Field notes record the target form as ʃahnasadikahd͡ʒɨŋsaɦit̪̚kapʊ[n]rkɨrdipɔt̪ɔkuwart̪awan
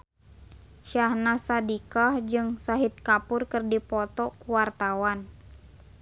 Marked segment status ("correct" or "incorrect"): incorrect